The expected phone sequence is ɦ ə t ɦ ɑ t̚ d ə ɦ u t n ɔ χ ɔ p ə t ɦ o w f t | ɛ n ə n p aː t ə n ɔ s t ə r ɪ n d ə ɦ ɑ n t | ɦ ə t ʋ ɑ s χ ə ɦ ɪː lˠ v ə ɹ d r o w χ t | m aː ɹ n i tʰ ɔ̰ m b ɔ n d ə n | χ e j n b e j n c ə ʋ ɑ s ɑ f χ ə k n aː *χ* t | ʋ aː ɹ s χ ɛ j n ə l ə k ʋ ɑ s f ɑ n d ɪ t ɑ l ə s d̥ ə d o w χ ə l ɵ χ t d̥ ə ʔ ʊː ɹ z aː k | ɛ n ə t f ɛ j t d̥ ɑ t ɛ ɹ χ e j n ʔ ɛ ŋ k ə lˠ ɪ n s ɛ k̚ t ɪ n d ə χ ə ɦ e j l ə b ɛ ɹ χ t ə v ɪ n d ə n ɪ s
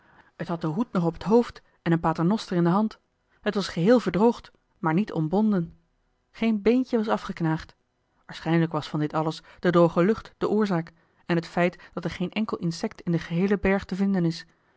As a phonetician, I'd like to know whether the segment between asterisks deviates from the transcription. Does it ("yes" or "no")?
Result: no